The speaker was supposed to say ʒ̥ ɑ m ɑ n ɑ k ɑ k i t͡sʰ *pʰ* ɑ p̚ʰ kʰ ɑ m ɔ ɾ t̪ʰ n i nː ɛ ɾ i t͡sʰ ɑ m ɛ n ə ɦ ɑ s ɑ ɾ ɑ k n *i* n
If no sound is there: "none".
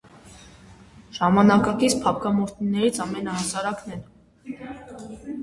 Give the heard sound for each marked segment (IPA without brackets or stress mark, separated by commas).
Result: pʰ, ɛ